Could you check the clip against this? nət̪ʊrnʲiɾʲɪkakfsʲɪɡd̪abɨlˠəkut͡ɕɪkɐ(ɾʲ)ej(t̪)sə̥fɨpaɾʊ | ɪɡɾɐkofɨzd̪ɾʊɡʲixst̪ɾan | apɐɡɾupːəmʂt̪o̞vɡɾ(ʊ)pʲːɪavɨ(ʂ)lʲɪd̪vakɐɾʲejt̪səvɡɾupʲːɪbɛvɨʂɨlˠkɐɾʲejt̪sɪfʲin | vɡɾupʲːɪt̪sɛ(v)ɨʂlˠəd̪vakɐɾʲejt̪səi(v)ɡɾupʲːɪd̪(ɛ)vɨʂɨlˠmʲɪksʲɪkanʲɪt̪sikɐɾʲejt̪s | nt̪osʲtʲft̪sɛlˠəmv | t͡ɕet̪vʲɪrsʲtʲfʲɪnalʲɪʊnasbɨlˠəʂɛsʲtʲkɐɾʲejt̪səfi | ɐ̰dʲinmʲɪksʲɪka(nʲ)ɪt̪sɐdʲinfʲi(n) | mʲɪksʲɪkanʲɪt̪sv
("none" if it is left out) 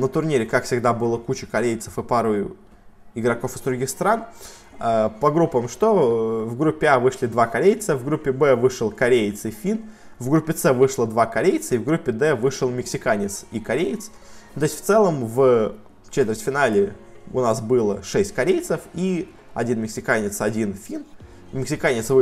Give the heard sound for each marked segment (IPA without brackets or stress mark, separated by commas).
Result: ɾʲ, t̪, u, ʂ, v, v, ɛ, nʲ, n